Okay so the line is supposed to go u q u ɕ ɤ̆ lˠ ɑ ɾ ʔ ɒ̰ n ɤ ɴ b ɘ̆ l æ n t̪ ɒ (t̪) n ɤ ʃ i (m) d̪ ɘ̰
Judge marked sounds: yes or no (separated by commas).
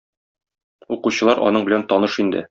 no, no